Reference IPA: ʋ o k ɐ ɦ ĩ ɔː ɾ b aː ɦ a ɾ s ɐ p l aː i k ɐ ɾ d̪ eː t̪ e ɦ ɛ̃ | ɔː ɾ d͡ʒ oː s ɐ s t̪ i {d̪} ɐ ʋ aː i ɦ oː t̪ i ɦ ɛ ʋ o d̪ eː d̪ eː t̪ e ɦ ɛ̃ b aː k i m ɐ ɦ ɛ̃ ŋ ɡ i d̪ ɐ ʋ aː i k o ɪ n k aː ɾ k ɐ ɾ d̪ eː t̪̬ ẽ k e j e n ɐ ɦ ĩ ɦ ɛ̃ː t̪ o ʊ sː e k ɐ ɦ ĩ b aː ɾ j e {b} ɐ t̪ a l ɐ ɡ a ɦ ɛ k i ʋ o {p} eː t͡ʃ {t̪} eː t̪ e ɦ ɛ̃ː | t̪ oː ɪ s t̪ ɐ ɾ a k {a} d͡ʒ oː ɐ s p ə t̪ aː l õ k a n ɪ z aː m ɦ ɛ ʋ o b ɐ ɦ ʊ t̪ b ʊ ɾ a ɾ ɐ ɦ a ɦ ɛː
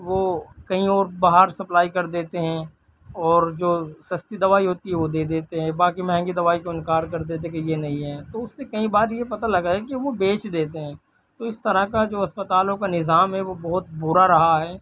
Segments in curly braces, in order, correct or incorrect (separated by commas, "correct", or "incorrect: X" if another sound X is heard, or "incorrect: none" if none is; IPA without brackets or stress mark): correct, incorrect: p, incorrect: b, incorrect: d̪, correct